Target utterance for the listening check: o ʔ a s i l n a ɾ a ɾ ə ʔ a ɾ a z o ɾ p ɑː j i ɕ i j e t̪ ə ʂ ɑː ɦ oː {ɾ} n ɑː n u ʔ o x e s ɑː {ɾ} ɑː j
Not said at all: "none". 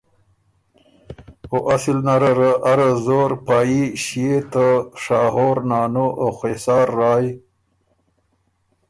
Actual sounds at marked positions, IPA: ɾ, ɾː

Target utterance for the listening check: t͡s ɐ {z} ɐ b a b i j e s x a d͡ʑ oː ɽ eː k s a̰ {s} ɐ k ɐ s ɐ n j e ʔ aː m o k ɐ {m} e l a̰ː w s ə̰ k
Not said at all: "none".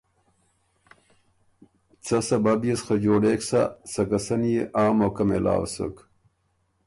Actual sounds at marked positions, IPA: s, s, m

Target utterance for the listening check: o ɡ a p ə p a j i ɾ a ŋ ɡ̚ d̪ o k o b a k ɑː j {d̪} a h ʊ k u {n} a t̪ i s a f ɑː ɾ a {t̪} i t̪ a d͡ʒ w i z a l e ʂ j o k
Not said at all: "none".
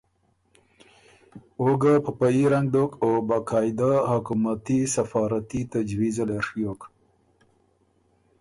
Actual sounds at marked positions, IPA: d̪, m, t̪

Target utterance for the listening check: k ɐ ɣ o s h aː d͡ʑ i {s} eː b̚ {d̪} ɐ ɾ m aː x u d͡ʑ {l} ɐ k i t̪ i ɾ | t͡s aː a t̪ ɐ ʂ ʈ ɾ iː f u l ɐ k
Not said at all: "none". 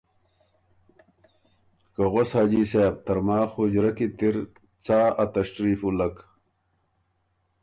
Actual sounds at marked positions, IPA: s, t̪, ɾ

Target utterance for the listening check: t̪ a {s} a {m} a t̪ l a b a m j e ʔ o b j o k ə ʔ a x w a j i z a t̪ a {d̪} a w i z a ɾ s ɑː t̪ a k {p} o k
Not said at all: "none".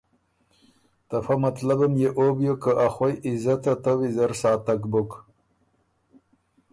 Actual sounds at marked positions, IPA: f, m, t̪, b

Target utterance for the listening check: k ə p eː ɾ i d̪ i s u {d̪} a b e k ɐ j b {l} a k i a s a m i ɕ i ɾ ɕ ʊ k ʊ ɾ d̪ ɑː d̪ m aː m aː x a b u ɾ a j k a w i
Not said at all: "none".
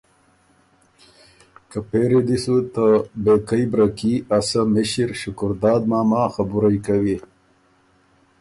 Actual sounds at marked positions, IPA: t̪, ɾ

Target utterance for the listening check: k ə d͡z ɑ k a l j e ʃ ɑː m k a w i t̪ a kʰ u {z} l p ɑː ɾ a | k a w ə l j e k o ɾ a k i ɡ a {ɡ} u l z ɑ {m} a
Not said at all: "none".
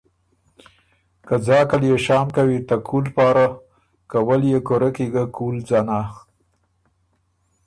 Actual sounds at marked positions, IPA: none, k, n

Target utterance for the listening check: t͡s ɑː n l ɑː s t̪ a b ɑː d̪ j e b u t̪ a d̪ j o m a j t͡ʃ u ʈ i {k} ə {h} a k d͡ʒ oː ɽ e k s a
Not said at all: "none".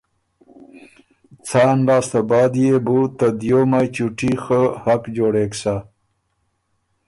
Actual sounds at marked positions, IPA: x, h

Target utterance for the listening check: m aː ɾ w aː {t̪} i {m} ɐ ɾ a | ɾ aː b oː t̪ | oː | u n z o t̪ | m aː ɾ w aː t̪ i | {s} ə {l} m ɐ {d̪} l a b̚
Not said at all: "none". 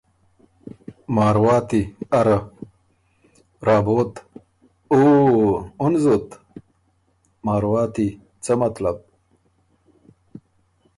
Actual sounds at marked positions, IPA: t̪, none, t͡s, none, t̪

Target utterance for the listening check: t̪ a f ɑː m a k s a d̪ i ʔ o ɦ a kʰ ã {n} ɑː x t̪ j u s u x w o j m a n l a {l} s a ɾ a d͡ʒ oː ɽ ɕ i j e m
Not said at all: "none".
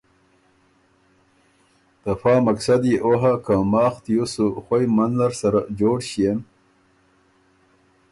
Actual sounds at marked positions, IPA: m, ɾ

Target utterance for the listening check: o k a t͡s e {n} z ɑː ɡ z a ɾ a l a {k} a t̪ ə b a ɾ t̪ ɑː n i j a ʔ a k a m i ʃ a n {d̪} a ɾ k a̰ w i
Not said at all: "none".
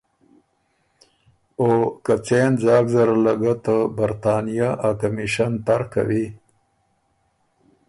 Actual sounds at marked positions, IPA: n, ɡ, t̪

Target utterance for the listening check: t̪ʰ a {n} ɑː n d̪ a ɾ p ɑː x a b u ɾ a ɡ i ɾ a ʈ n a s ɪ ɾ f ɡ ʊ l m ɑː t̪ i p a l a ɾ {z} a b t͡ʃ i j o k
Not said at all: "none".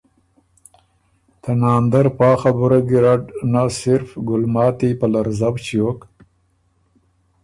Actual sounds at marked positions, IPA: n, z

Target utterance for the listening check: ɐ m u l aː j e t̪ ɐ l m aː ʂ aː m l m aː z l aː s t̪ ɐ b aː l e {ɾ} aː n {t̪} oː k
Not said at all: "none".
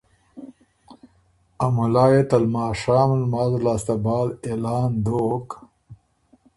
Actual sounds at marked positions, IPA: l, d̪

